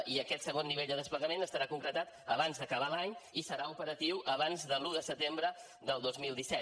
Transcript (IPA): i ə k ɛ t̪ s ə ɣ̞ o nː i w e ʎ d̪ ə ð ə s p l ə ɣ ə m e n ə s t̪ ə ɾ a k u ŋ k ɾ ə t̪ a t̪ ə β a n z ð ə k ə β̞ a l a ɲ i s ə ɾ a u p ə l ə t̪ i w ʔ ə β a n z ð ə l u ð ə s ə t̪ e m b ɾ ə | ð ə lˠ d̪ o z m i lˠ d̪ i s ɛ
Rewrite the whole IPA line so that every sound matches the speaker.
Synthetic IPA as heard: i ə k ɛ t̪ s ə ɣ̞ o nː i β e ʎ d̪ ə ð ə s p l ə ɣ ə m e n ə s t̪ ə ɾ a k u ŋ k ɾ ə t̪ a t̪ ə β a n z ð ə k ə β̞ a l a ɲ i s ə ɾ a u p ə ɾ ə t̪ i w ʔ ə β a n z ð ə l u ð ə s ə t̪ e m b ɾ ə | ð ə lˠ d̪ o z m i lˠ d̪ i s ɛ